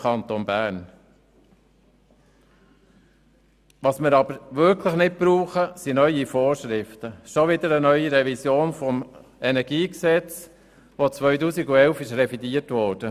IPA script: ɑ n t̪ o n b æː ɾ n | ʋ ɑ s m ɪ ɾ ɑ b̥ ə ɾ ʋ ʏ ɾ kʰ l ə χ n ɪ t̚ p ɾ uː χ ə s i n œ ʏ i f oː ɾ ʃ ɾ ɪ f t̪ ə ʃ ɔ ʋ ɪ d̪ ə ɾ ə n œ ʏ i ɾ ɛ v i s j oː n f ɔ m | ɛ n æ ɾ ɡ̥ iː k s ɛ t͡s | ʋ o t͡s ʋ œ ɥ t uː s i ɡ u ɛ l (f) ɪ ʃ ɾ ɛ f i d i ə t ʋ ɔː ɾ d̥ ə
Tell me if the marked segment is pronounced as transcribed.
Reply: yes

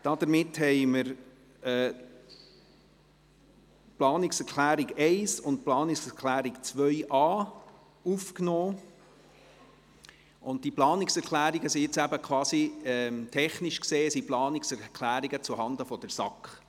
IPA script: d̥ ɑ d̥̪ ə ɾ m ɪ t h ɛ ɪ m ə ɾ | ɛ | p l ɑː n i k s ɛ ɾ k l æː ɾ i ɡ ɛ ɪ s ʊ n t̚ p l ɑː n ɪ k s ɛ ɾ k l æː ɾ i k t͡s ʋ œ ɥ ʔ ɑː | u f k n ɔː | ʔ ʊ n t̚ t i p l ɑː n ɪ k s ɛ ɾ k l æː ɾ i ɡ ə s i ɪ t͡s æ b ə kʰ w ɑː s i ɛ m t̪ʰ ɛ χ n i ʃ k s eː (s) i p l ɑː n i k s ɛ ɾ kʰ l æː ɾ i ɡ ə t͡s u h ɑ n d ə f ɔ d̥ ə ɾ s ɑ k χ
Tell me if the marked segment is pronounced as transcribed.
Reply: yes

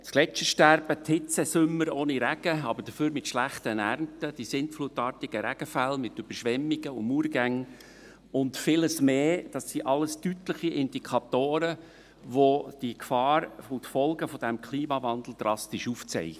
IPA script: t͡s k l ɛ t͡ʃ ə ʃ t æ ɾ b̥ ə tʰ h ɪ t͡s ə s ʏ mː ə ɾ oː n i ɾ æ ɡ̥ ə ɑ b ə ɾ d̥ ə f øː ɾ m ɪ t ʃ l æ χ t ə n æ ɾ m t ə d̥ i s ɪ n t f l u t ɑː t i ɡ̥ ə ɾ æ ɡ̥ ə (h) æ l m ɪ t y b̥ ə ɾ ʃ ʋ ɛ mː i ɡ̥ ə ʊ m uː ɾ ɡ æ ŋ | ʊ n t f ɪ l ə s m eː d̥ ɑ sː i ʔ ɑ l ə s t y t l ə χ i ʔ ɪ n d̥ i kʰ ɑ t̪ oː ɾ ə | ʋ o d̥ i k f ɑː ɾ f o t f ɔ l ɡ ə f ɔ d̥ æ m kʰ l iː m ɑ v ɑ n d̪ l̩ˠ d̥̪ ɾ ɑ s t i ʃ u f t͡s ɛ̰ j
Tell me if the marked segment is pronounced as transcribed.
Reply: no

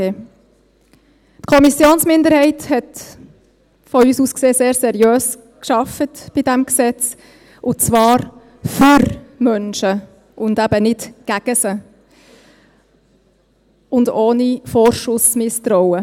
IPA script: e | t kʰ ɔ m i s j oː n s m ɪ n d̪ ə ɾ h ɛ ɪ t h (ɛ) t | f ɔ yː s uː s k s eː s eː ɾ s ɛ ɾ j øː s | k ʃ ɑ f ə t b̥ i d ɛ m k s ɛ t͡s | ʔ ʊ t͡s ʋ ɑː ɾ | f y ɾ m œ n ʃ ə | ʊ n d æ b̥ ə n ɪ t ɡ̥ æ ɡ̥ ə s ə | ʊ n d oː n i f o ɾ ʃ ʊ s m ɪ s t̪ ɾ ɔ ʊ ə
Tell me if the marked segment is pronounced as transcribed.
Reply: yes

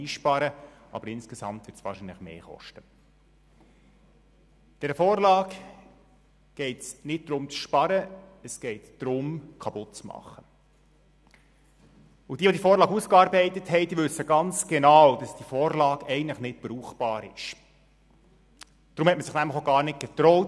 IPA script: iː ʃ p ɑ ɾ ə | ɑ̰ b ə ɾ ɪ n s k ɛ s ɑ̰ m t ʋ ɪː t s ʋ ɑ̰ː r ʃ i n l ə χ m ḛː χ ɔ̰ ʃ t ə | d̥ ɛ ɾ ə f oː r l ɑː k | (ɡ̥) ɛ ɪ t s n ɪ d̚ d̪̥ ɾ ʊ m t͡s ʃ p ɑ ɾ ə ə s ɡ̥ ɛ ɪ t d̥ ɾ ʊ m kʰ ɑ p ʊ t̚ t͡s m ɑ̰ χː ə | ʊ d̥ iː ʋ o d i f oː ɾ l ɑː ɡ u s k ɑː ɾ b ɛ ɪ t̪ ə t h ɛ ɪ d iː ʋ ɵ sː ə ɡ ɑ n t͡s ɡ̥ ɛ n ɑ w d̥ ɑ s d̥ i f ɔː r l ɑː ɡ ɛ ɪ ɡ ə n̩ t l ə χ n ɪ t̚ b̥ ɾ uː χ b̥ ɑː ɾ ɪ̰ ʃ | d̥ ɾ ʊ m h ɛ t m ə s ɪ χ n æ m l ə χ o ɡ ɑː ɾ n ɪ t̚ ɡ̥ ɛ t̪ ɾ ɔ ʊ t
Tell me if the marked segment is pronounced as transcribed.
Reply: yes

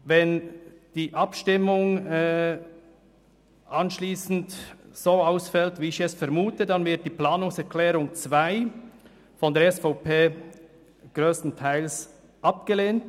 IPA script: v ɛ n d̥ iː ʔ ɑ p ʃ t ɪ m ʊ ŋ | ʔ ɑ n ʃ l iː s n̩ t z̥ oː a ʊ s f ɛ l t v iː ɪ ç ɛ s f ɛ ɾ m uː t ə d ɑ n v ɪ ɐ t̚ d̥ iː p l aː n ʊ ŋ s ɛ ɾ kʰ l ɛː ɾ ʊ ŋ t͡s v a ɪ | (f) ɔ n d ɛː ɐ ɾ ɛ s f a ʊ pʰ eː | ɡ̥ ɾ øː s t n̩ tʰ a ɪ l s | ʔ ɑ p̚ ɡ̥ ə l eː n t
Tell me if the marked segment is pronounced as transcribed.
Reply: yes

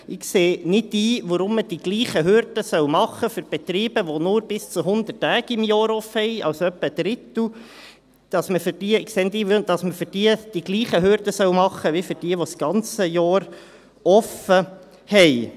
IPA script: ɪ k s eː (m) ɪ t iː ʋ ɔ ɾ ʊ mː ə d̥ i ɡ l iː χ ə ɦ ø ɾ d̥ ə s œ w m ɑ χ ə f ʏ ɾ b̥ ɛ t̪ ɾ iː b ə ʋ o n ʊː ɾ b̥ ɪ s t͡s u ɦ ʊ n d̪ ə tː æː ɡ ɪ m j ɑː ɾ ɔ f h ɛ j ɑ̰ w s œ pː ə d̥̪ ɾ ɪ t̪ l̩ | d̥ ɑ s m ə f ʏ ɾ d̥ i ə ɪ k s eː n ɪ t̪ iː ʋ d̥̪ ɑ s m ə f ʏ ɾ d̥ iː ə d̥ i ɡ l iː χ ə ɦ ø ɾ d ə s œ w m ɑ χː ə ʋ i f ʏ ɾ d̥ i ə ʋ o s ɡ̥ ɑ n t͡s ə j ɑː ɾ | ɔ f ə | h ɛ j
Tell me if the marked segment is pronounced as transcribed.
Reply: no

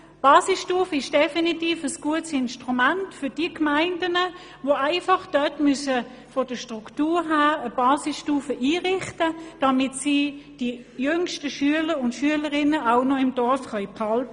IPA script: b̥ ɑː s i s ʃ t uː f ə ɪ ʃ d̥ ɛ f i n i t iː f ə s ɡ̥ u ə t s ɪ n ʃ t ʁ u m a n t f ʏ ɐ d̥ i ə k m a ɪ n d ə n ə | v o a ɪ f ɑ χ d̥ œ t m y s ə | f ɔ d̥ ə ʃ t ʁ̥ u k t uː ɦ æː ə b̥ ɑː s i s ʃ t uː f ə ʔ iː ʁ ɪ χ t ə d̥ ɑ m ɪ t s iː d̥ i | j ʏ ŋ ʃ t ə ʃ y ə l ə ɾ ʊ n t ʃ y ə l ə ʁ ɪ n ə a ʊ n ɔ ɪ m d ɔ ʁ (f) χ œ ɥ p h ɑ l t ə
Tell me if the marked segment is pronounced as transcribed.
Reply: yes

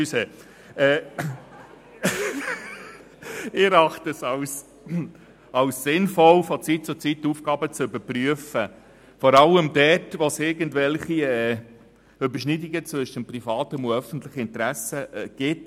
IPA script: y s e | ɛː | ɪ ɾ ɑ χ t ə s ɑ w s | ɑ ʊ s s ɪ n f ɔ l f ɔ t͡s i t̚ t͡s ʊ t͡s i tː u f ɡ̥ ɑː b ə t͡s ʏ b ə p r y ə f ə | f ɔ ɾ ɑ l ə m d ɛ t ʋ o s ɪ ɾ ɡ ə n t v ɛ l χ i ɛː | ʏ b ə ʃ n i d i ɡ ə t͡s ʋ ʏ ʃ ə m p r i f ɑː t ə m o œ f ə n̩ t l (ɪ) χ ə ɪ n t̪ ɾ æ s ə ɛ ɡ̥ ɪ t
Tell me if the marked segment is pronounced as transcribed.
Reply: yes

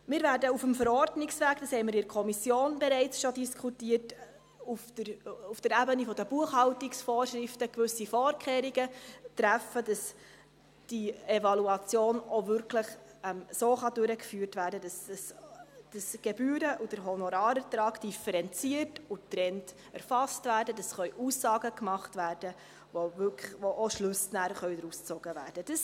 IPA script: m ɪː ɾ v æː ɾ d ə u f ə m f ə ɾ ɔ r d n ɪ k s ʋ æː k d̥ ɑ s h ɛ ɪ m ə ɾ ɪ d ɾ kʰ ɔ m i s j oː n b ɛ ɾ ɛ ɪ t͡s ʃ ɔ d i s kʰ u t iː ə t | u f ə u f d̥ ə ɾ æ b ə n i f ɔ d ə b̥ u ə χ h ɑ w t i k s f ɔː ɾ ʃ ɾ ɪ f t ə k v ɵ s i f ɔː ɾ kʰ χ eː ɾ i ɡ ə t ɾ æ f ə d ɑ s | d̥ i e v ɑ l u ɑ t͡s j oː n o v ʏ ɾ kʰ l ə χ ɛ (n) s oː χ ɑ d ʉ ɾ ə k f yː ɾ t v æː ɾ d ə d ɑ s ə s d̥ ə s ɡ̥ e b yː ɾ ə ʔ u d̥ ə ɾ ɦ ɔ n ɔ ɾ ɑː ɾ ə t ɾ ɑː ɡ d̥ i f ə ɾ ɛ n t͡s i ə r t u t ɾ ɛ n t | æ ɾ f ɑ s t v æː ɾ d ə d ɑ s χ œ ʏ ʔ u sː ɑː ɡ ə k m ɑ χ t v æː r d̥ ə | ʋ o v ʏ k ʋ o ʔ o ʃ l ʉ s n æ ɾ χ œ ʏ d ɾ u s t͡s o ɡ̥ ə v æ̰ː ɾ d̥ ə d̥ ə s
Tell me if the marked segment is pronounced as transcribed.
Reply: no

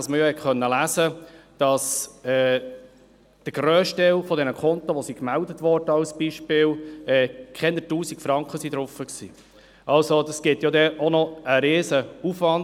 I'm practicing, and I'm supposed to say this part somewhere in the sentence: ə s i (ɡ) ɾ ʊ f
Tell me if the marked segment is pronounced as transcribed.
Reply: no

